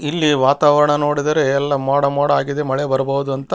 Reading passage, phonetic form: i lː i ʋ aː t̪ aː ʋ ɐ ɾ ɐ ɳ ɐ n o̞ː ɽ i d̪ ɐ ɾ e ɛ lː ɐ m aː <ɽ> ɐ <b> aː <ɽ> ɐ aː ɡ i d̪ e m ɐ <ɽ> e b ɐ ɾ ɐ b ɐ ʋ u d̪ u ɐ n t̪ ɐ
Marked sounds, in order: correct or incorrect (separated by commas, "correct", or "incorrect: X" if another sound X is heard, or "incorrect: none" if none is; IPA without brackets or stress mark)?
correct, incorrect: m, correct, incorrect: ɭ